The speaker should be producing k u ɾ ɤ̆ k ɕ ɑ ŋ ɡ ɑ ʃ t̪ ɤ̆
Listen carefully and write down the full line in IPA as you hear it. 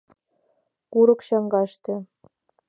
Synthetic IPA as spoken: k u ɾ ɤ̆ k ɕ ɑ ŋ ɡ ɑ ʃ t̪ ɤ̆